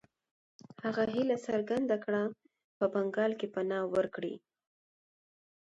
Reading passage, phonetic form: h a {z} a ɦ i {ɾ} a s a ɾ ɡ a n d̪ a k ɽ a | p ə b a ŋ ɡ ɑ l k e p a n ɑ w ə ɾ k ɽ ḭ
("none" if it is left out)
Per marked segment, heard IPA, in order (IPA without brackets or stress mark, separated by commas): ɣ, l